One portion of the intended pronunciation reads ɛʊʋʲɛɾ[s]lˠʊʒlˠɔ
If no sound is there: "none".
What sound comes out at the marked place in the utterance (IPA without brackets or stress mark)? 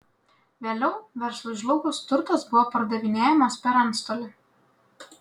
s